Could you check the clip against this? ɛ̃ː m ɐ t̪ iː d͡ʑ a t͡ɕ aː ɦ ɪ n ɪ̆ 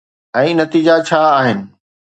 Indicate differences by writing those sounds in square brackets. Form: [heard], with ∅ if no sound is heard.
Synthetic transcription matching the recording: ɛ̃ː [n] ɐ t̪ iː d͡ʑ a [t͡ɕʰ] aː ɦ ɪ n ɪ̆